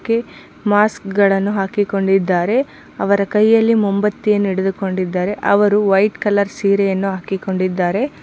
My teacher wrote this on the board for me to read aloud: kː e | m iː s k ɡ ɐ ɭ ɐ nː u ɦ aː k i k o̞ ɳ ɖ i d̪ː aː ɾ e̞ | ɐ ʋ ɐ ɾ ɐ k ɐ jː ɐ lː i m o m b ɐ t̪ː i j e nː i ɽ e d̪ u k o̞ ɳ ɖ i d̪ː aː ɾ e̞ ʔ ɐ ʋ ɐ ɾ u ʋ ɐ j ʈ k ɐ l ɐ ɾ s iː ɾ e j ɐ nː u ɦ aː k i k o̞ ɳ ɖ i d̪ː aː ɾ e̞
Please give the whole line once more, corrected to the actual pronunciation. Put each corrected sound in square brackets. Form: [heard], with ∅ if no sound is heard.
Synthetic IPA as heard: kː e | m [aː] s k ɡ ɐ ɭ ɐ nː u ɦ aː k i k o̞ ɳ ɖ i d̪ː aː ɾ e̞ | ɐ ʋ ɐ ɾ ɐ k ɐ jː ɐ lː i m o m b ɐ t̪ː i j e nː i ɽ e d̪ u k o̞ ɳ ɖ i d̪ː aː ɾ e̞ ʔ ɐ ʋ ɐ ɾ u ʋ ɐ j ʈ k ɐ l ɐ ɾ s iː ɾ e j ɐ nː u ɦ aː k i k o̞ ɳ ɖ i d̪ː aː ɾ e̞